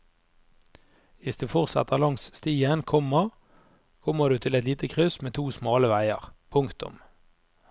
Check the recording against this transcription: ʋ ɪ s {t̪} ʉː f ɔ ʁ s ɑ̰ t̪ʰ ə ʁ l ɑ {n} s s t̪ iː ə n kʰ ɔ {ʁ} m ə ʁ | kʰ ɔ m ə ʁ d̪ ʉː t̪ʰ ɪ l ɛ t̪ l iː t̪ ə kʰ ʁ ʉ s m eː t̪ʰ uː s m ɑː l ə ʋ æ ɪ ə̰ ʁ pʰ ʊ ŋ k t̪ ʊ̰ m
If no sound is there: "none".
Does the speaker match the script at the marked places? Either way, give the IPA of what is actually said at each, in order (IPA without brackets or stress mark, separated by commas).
d̪, ŋ, none